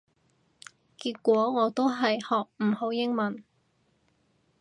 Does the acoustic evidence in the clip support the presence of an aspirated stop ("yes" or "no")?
no